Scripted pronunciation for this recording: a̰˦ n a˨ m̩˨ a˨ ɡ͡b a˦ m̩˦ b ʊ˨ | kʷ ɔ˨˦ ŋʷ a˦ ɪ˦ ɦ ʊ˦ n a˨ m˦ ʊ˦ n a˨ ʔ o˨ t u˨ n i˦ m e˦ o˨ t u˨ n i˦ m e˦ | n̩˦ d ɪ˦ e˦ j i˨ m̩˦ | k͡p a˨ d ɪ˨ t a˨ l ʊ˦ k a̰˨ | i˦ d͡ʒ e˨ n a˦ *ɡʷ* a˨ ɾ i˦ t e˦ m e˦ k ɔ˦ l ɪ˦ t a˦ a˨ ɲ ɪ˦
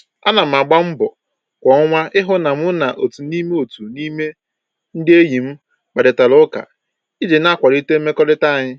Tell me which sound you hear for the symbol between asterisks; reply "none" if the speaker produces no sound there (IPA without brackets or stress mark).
kʷ